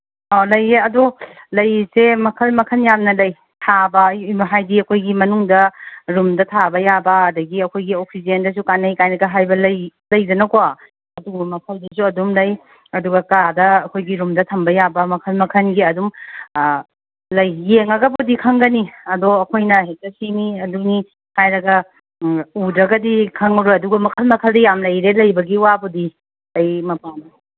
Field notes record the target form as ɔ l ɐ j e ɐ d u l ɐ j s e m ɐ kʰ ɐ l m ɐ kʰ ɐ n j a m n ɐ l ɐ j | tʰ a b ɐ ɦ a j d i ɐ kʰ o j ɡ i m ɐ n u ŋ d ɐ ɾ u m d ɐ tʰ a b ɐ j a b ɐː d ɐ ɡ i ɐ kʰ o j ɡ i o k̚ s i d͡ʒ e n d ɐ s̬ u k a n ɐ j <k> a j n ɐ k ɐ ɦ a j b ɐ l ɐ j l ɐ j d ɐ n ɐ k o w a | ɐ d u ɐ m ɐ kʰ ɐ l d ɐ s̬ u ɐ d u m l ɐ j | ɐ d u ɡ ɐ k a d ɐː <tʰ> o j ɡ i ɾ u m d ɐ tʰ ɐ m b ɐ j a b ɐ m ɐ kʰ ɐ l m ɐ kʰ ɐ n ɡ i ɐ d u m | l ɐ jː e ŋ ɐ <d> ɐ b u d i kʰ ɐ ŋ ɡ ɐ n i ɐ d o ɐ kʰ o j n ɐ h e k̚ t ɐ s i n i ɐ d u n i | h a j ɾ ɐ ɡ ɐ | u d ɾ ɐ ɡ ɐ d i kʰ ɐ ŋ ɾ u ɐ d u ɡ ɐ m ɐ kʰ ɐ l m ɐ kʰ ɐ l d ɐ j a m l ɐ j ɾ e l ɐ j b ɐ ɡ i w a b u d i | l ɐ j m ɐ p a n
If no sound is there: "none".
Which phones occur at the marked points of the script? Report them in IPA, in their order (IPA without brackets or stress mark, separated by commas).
k, kʰ, ɡ